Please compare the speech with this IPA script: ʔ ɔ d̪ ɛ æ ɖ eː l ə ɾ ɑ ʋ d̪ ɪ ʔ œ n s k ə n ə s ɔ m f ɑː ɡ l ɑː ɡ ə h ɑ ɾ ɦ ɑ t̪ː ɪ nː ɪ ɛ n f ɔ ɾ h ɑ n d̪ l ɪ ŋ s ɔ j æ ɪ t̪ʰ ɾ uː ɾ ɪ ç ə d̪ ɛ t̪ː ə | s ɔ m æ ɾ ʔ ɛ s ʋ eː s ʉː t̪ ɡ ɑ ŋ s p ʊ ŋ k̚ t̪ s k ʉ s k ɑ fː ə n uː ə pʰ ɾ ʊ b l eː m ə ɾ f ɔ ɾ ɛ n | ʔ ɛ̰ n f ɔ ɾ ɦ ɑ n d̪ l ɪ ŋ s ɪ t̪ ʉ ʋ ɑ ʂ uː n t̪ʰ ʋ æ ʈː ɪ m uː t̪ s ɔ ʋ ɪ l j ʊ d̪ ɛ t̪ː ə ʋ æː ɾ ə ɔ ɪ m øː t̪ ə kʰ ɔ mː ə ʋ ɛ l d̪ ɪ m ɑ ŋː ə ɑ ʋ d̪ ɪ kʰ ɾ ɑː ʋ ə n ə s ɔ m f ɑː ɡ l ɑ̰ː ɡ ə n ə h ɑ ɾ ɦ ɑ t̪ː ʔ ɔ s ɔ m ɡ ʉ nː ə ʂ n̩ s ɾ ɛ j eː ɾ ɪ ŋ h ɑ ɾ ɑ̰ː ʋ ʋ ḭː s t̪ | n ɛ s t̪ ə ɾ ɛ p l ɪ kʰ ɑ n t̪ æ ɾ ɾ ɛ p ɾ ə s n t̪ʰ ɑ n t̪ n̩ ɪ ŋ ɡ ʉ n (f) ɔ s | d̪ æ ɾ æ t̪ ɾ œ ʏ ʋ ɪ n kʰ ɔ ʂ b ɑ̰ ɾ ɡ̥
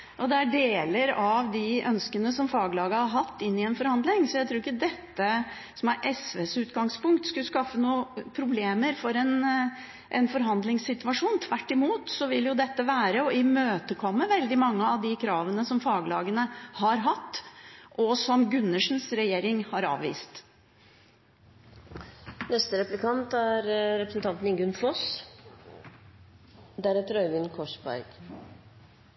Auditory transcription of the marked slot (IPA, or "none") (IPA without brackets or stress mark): f